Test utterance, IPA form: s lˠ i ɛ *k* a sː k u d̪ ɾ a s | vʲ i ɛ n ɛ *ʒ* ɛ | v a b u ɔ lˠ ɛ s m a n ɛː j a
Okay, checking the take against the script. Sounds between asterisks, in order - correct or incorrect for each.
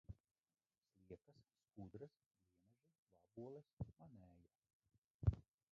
correct, correct

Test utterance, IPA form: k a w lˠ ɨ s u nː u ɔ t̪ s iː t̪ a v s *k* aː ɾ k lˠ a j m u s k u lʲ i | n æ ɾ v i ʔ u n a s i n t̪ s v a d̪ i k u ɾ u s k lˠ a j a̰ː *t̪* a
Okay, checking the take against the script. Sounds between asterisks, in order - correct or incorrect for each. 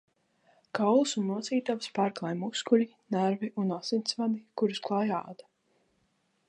incorrect: p, incorrect: d̪

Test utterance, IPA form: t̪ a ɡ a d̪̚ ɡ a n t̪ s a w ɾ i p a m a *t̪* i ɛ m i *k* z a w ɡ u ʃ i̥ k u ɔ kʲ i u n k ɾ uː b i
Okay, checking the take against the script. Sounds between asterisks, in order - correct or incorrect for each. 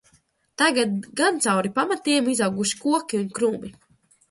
correct, incorrect: none

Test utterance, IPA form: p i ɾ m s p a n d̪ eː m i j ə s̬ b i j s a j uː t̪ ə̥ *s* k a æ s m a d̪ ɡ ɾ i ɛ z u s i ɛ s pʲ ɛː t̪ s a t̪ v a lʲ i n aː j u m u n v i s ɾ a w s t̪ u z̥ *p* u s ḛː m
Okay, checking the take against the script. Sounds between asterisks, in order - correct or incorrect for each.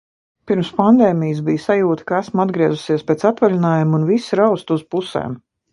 incorrect: none, correct

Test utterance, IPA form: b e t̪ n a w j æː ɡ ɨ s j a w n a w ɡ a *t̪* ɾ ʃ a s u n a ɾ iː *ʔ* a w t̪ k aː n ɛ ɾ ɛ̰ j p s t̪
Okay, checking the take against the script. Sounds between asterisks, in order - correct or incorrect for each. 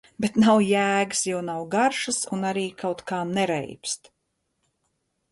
incorrect: none, incorrect: k

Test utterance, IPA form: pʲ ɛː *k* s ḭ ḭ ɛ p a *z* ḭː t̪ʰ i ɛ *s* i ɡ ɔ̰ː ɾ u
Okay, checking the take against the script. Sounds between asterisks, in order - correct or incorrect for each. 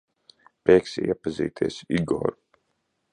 correct, correct, correct

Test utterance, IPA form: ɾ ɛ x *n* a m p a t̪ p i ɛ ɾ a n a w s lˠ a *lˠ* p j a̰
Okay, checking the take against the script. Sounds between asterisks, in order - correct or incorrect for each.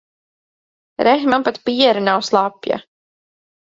incorrect: m, incorrect: none

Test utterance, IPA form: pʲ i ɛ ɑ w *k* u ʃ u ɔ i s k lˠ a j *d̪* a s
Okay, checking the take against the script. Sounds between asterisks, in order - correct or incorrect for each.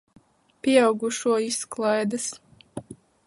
incorrect: ɡ, correct

